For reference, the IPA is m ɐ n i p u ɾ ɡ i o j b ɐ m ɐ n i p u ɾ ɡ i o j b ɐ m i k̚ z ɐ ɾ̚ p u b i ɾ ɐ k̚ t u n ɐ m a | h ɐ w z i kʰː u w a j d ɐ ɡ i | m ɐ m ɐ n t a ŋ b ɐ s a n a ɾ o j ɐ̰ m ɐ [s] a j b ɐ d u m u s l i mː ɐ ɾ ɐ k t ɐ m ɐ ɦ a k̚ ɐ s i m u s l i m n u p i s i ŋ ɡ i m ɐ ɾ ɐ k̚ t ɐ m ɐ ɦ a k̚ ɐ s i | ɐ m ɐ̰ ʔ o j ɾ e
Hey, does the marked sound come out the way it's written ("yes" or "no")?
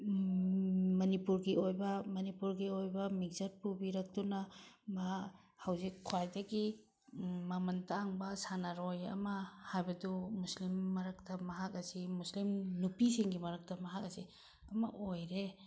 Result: no